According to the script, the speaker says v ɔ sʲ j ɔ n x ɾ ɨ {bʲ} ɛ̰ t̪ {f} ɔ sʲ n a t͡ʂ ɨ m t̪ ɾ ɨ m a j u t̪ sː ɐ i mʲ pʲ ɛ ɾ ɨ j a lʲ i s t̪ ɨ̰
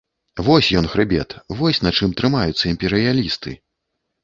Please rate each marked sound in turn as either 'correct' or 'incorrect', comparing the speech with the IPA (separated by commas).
correct, incorrect